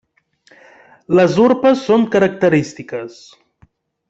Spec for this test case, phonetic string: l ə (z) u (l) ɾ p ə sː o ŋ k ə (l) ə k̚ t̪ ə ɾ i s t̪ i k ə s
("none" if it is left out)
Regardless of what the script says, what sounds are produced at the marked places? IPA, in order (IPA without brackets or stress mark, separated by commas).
z, none, ɾ